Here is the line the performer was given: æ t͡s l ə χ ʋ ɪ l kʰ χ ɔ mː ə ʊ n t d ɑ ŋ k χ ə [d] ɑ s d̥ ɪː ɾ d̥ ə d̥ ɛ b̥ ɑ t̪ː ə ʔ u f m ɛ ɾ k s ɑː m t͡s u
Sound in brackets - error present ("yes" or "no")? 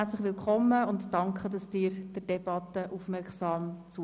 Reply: no